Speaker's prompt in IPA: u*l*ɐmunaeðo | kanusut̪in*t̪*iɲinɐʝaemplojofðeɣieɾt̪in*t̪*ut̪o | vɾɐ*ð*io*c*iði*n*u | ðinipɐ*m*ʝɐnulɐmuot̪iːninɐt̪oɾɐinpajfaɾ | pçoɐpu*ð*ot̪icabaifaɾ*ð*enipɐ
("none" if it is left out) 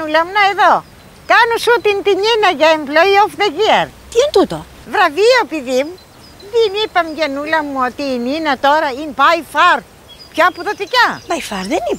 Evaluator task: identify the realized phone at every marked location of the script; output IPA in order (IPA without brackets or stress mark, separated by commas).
l, t̪, t̪, v, p, m, m, ð, ð